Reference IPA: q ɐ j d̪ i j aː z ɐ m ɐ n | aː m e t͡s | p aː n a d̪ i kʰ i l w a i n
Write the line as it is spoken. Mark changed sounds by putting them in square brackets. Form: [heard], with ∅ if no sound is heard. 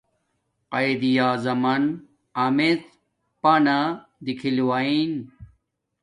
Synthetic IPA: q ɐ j d̪ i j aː z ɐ m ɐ n | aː m e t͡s | p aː n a d̪ i kʰ i l w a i n